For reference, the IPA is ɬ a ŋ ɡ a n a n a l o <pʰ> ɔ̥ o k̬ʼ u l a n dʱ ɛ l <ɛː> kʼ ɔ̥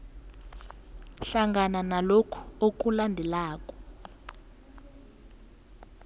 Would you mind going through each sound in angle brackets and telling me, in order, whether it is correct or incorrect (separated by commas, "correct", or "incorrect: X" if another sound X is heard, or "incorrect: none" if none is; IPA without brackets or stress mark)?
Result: incorrect: kʰ, incorrect: aː